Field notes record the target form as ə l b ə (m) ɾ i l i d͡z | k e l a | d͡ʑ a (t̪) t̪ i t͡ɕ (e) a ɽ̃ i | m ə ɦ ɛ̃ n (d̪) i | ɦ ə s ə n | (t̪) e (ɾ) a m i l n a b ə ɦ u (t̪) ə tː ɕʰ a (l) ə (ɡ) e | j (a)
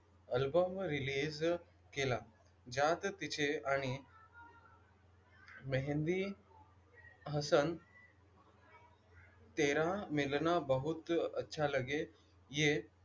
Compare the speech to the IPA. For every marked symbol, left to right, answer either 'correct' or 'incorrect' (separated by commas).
correct, correct, correct, correct, correct, correct, correct, correct, correct, incorrect